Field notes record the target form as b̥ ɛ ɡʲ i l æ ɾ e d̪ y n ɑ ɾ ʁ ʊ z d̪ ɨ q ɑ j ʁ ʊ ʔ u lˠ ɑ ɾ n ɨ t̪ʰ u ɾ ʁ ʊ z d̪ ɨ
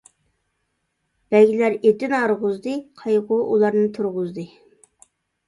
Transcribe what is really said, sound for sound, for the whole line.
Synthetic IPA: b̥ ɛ ɡʲ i l æ ɾ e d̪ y n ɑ ɾ ʁ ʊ z d̪ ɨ qʰ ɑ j ʁ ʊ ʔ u lˠ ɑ ɾ n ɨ t̪ʰ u ɾ ʁ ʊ z d̪ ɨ